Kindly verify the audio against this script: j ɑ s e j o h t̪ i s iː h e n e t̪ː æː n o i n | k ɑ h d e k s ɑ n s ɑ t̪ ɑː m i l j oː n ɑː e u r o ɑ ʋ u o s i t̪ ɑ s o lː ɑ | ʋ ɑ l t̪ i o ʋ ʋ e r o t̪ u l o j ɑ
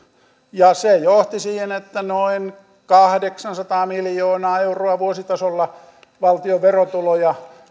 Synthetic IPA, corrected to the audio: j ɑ s e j o h t̪ i s iː h e n e t̪ː æ n o i n | k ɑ h d e k s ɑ n s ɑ t̪ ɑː m i l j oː n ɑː e u r o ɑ ʋ u o s i t̪ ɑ s o lː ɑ | ʋ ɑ l t̪ i o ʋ ʋ e r o t̪ u l o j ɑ